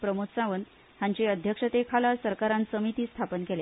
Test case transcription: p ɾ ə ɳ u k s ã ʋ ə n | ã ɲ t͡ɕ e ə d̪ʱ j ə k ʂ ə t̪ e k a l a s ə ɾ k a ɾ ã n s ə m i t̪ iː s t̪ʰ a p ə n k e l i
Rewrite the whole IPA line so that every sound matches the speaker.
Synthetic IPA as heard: p ɾ ə m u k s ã ʋ ə n | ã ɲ t͡ɕ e ə d̪ʱ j ə k ʂ ə t̪ e kʰ a l a s ə ɾ k a ɾ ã n s ə m i t̪ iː s t̪ʰ a p ə n k e l e